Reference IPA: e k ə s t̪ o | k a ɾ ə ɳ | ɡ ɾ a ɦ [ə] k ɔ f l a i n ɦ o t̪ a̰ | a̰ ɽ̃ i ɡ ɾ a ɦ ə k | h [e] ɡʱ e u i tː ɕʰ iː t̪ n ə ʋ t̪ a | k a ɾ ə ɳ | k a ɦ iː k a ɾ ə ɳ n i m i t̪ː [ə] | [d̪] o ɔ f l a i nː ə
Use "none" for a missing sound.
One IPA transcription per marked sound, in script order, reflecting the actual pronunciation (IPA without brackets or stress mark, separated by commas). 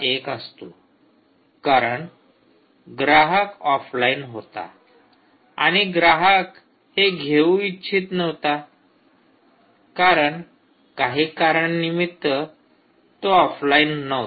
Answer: ə, e, ə, t̪